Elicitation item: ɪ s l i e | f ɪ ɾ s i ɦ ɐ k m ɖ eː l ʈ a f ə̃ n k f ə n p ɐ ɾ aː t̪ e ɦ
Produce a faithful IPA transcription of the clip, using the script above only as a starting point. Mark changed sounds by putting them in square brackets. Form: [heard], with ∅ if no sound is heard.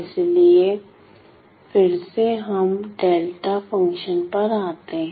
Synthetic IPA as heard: ɪ s l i e | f ɪ ɾ s [e] ɦ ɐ [∅] m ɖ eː l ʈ a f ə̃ [ŋ] k [ʃ] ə n p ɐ ɾ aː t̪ e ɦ